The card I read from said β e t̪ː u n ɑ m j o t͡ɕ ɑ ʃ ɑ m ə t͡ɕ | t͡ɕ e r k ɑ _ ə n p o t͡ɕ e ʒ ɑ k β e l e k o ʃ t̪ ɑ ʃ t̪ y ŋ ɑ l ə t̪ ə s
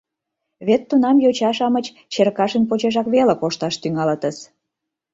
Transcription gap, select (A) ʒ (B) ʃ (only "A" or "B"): B